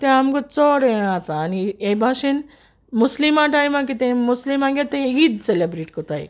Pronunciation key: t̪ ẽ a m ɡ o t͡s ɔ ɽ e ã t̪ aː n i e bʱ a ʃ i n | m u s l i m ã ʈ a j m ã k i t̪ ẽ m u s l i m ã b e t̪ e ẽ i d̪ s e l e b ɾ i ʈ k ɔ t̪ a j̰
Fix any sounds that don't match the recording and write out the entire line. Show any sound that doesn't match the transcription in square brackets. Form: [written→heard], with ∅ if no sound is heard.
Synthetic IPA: t̪ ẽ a m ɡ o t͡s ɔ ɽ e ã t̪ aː n i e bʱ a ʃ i n | m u s l i m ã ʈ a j m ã k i t̪ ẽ m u s l i m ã [b→ɡ] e t̪ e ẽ i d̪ s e l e b ɾ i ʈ k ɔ t̪ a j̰